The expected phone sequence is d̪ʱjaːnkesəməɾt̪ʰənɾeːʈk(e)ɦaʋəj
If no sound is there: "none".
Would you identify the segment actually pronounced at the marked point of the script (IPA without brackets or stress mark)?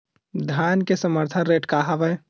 a